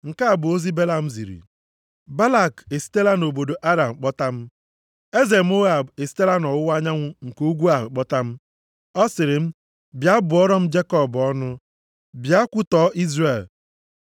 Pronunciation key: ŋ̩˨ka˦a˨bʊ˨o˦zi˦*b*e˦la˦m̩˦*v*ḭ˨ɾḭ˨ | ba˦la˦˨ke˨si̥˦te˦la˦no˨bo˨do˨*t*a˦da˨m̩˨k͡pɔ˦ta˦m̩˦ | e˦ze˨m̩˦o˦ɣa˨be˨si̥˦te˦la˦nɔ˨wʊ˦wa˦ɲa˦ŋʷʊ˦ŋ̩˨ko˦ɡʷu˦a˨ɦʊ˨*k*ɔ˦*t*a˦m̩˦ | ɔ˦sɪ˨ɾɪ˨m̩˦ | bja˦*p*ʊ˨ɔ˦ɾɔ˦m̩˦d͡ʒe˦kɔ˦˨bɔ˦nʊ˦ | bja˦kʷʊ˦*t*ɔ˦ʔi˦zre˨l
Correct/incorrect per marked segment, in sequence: correct, incorrect: z, incorrect: ʔ, incorrect: k͡p, correct, incorrect: b, correct

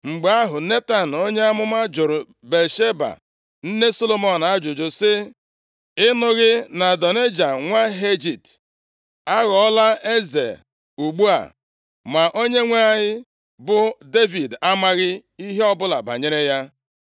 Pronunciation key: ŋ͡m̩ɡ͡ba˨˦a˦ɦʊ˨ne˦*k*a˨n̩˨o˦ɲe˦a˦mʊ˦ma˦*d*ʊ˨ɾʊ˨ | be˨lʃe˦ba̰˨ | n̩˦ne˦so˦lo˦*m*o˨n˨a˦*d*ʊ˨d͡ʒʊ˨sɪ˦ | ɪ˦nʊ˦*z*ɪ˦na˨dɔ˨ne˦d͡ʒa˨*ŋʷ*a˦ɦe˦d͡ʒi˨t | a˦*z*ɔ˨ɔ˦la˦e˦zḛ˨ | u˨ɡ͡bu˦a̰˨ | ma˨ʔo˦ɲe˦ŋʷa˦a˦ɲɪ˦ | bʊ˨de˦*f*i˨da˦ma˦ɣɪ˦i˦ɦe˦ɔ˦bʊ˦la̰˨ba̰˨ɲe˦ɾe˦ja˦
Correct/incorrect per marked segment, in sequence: incorrect: t, incorrect: d͡ʒ, correct, incorrect: d͡ʒ, incorrect: ɣ, correct, incorrect: ɣ, incorrect: v

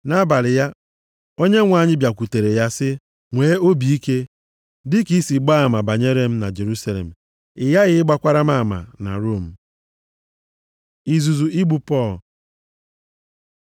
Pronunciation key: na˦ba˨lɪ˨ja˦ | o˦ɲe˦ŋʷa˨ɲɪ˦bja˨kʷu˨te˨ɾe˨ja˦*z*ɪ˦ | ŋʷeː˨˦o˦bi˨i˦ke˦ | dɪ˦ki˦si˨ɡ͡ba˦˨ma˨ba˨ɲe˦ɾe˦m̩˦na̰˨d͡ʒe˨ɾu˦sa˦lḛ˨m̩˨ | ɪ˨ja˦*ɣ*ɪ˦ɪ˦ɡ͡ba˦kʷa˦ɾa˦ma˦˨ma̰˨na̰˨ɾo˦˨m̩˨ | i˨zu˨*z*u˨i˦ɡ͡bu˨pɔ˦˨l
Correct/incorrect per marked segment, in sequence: incorrect: s, correct, correct

